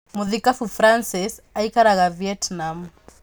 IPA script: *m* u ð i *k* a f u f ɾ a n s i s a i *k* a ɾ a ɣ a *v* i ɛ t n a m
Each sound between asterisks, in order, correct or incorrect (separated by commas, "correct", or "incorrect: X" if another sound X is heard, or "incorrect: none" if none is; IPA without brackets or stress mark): correct, correct, correct, correct